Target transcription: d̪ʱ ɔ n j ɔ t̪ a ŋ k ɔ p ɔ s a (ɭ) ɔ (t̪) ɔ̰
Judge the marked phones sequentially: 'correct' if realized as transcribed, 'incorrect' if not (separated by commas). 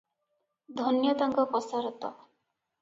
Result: incorrect, correct